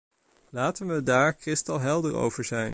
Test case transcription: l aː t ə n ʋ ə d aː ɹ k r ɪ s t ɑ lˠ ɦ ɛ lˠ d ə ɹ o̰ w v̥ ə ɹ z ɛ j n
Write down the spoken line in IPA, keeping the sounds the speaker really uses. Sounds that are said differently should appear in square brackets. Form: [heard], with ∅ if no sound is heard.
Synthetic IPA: l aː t ə n ʋ ə d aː ɹ k r ɪ s t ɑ lˠ ɦ ɛ lˠ d ə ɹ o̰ w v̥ ə ɹ z ɛ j n